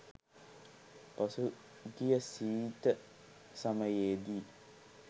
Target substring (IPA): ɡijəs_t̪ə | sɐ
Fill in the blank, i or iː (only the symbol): iː